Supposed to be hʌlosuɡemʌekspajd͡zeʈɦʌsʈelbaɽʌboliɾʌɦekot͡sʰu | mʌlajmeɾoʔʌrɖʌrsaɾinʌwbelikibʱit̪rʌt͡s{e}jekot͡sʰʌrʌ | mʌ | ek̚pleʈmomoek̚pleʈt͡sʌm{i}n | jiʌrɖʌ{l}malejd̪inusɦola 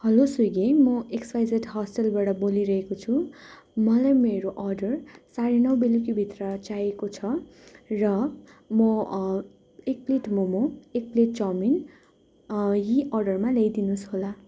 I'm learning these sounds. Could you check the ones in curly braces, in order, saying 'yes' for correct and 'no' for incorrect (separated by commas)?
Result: no, yes, no